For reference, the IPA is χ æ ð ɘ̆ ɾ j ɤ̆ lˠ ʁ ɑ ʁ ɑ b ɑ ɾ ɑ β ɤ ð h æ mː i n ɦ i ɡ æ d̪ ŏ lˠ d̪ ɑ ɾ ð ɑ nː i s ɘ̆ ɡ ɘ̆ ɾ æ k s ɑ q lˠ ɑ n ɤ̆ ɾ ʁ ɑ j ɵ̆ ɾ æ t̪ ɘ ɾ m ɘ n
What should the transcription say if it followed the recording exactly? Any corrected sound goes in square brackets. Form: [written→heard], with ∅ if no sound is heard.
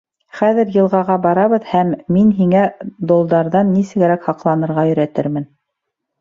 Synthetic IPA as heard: χ æ ð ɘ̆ ɾ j ɤ̆ lˠ ʁ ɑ ʁ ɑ b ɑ ɾ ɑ β ɤ ð h æ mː i n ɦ i [ɡ→ŋ] æ d̪ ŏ lˠ d̪ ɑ ɾ ð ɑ nː i s ɘ̆ ɡ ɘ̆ ɾ æ k [s→h] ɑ q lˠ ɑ n ɤ̆ ɾ ʁ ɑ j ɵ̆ ɾ æ t̪ ɘ ɾ m ɘ n